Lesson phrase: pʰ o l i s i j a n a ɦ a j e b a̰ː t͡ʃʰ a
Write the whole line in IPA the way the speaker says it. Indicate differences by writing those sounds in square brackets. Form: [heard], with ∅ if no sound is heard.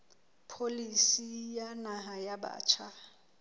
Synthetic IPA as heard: pʰ o l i s i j a n a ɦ a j [a] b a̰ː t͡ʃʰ a

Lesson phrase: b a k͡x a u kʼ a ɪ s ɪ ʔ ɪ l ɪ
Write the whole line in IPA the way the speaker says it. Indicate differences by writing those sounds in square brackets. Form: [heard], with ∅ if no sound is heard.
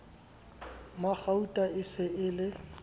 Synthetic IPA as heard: [m] a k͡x a u [tʼ] a ɪ s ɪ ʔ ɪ l ɪ

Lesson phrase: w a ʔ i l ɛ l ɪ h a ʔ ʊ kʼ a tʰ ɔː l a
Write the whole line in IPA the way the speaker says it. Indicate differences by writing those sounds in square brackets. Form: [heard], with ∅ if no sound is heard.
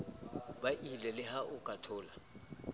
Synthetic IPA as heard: [b] a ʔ i l ɛ l ɪ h a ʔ ʊ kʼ a tʰ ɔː l a

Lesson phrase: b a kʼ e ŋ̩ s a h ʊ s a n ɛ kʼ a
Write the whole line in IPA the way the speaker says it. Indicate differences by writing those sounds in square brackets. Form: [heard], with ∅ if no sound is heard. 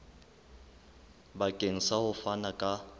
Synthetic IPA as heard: b a kʼ e ŋ̩ s a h ʊ [f] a n [a] kʼ a

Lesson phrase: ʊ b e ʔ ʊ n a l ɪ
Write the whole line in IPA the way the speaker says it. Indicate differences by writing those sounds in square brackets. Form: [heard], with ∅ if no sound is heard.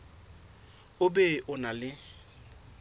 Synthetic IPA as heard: ʊ b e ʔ ʊ n a l ɪ

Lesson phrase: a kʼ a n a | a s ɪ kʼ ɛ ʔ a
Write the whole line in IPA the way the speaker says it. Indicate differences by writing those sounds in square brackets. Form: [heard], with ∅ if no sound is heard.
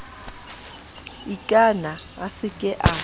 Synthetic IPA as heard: [i] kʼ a n a | a s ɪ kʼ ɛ ʔ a

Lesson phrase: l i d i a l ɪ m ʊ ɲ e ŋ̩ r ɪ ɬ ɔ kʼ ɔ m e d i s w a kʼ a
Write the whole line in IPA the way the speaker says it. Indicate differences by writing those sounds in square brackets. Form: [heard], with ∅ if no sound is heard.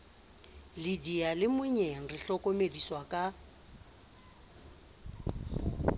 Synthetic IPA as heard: l i d i a l ɪ m ʊ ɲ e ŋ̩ r ɪ ɬ ɔ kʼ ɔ m e d i s w a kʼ a

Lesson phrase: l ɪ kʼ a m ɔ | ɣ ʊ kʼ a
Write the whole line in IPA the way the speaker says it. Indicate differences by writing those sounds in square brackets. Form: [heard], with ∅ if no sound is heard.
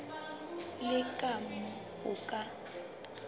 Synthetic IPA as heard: l ɪ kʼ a m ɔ | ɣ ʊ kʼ a

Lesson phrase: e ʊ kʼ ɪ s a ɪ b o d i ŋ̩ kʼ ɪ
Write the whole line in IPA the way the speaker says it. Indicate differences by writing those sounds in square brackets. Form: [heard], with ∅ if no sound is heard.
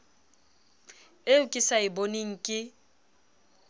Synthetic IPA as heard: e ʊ kʼ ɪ s a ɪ b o [n] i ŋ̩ kʼ ɪ

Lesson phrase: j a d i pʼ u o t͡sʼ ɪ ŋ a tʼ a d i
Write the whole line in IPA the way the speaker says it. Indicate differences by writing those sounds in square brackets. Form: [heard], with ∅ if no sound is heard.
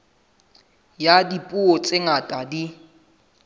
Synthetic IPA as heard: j a d i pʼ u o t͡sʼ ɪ ŋ a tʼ a d i

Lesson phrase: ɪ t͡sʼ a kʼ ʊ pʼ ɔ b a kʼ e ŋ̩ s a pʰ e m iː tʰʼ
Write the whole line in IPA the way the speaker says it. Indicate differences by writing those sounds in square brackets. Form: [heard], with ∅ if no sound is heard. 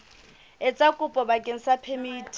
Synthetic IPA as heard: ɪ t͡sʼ a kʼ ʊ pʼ ɔ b a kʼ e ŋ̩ s a pʰ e m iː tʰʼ

